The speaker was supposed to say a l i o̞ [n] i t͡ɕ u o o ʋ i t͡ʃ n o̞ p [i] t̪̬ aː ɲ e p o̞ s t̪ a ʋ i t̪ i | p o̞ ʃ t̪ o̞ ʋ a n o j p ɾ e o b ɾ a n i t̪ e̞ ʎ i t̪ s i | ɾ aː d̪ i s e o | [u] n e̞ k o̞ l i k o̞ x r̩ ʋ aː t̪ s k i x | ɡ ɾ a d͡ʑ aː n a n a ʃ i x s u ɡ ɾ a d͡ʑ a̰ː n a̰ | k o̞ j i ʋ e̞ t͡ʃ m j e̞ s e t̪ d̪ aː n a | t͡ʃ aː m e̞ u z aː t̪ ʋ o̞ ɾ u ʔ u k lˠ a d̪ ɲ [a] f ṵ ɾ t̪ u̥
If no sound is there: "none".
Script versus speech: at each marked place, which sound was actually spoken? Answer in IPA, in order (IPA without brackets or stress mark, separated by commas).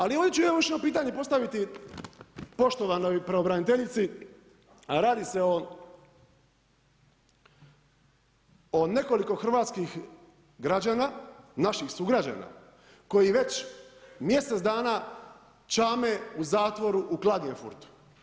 n, iː, o, e